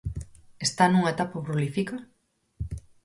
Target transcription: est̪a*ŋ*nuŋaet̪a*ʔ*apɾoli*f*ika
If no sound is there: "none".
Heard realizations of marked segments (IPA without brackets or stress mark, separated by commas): none, p, f